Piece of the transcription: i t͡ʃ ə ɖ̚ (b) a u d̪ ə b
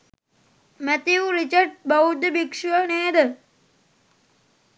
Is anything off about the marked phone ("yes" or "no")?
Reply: no